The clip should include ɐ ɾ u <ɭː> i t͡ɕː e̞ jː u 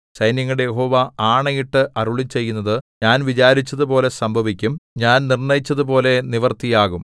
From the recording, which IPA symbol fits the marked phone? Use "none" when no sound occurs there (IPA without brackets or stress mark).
ɭ